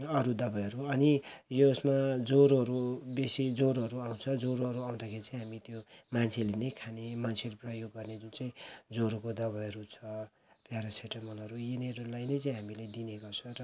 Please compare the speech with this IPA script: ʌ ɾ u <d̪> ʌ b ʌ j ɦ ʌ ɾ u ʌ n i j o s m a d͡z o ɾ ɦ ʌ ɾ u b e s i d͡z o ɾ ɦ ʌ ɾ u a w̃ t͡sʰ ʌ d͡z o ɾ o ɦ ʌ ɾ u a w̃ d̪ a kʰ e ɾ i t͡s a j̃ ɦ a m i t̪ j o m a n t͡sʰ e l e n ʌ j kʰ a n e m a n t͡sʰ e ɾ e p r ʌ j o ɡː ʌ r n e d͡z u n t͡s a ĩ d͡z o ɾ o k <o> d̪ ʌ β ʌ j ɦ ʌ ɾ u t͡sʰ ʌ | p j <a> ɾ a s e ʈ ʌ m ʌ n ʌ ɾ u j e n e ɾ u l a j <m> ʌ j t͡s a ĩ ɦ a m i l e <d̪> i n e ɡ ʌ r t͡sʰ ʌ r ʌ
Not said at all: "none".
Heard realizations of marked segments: d̪, o, a, n, d̪

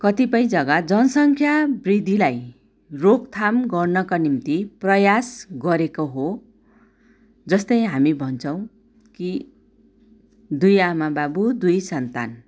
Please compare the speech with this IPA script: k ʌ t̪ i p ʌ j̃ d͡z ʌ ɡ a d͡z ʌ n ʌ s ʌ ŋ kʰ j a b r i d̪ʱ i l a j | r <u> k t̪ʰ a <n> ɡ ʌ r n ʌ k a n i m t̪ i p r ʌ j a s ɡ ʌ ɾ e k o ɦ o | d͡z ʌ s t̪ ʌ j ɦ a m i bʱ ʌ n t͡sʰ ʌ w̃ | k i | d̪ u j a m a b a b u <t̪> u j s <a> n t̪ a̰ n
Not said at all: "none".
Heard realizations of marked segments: o, m, d̪, ʌ

